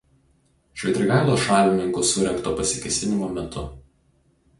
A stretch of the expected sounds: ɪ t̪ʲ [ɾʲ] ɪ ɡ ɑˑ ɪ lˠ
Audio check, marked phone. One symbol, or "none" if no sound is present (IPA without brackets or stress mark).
ɾʲ